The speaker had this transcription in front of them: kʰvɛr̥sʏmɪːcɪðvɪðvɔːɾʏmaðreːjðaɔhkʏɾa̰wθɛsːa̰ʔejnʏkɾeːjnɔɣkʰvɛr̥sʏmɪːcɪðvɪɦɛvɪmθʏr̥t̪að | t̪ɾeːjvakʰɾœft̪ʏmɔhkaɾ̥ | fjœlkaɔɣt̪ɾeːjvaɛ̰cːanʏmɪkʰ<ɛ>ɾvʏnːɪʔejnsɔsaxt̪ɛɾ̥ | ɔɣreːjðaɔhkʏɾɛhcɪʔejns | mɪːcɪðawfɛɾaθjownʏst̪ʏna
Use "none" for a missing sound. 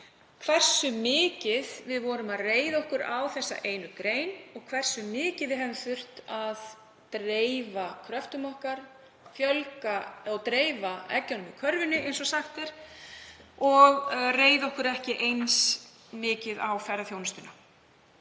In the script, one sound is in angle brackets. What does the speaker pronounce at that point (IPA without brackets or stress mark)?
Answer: œ